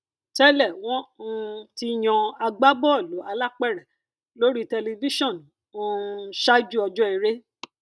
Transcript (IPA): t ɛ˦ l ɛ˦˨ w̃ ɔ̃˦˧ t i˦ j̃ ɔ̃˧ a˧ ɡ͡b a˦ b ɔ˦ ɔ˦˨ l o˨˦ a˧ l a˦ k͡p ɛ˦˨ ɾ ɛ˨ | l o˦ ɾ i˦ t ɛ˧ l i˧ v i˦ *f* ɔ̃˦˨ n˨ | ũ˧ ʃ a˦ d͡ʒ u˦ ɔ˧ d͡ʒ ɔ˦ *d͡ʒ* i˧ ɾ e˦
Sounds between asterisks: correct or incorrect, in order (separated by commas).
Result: incorrect, incorrect